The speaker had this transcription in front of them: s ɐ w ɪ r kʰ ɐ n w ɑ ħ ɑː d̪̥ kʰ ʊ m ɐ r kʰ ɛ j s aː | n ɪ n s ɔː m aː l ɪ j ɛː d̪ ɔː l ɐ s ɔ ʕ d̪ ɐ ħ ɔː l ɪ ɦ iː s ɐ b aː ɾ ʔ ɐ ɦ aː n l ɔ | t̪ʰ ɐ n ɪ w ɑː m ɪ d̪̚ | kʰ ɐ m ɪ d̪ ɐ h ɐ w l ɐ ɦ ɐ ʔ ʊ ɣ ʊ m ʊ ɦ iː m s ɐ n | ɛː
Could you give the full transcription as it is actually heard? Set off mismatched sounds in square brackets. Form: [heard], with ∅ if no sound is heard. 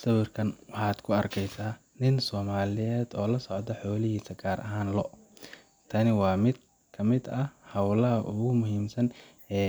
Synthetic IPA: s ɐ w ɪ r kʰ ɐ n w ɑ ħ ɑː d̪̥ kʰ ʊ [∅] ɐ r kʰ ɛ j s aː | n ɪ n s ɔː m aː l ɪ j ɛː d̪ ɔː l ɐ s ɔ ʕ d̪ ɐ ħ ɔː l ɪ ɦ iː s ɐ [ɡ] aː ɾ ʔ ɐ ɦ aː n l ɔ | t̪ʰ ɐ n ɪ w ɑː m ɪ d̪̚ | kʰ ɐ m ɪ d̪ ɐ h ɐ w l ɐ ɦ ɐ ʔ ʊ ɣ ʊ m ʊ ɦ iː m s ɐ n | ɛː